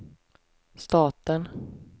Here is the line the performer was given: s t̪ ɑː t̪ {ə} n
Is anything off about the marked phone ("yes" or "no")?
no